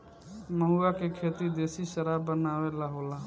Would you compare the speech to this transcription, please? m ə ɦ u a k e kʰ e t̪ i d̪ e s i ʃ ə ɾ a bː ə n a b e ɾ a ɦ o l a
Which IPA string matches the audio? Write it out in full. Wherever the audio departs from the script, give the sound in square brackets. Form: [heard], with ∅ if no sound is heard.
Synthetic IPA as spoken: m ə ɦ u a k e kʰ e t̪ i d̪ e s i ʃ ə ɾ a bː ə n a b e [l] a ɦ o l a